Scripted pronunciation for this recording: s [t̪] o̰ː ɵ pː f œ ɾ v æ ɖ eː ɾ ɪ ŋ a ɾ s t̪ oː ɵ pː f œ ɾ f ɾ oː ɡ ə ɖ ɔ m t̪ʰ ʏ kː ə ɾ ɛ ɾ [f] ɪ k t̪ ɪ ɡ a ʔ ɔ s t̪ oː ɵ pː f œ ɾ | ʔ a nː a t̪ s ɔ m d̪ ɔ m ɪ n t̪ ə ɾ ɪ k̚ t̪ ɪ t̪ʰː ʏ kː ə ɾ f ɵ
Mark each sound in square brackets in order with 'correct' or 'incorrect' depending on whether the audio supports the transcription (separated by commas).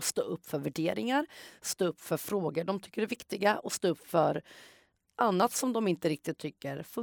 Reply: correct, incorrect